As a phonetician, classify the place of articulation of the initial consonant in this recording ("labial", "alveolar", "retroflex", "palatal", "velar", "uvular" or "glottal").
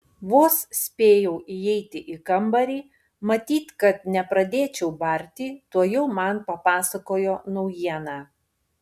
labial